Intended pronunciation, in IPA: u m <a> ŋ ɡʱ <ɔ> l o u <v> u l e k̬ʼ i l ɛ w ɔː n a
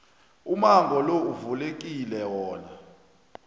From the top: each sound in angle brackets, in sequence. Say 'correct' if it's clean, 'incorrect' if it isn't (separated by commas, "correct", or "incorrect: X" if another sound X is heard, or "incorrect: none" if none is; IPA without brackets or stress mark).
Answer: correct, correct, correct